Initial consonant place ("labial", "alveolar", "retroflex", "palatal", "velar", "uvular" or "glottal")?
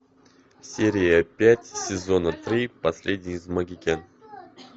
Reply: alveolar